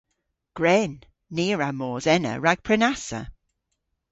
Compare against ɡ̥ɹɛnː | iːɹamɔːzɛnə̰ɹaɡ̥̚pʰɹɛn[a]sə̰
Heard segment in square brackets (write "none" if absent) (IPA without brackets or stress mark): a